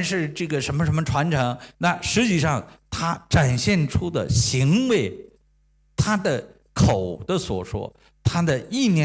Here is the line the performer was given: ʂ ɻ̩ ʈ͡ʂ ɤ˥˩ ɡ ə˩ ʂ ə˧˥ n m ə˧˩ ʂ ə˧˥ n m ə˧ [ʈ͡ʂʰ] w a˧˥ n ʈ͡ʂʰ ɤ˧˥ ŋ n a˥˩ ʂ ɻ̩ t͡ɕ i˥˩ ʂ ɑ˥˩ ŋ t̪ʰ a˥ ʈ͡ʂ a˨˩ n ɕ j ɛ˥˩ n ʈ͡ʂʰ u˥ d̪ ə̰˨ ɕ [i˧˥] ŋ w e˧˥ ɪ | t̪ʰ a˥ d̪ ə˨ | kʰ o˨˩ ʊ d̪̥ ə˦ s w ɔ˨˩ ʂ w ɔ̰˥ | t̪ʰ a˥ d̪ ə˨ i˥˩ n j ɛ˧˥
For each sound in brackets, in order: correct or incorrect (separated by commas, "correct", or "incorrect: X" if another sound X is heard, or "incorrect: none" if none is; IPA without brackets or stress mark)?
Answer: correct, correct